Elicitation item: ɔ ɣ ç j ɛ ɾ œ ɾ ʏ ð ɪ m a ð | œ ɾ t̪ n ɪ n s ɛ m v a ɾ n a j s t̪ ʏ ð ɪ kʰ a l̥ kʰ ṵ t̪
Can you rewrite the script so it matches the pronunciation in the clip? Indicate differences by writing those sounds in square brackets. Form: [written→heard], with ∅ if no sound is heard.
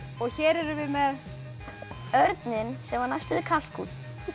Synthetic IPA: ɔ ɣ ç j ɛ ɾ [œ→ɛ] ɾ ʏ [ð→v] ɪ m [a→ɛ] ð | œ ɾ t̪ n ɪ n s ɛ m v a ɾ n a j s t̪ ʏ ð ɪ kʰ a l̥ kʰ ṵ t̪